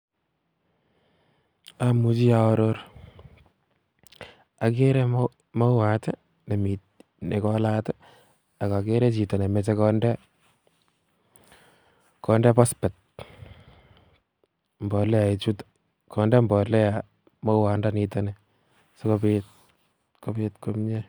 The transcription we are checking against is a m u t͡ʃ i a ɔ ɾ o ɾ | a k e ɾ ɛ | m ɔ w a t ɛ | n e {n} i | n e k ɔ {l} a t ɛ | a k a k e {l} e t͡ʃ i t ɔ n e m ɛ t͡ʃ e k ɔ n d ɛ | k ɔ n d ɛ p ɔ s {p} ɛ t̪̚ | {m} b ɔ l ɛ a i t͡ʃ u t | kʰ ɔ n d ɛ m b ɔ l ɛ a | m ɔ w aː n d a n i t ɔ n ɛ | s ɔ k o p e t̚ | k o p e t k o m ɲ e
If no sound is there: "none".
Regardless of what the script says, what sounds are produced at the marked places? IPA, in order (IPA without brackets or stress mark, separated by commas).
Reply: m, l, ɾ, p, m